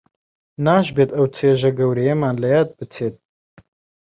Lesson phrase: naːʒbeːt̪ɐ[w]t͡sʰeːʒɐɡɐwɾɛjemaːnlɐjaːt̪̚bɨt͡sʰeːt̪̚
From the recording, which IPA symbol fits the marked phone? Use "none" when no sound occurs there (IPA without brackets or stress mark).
w